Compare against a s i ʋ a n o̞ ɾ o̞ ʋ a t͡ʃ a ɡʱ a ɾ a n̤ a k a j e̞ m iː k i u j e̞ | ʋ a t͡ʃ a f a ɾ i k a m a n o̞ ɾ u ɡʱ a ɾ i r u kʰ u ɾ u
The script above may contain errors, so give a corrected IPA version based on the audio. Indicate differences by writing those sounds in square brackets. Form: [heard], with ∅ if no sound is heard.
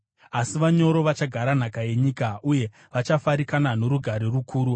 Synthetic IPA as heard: a s i ʋ a [ɲ] o̞ ɾ o̞ ʋ a t͡ʃ a ɡʱ a ɾ a n̤ a k a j e̞ [ɲ] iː k [a] u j e̞ | ʋ a t͡ʃ a f a ɾ i k a [n] a n o̞ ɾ u ɡʱ a ɾ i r u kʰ [uː] ɾ u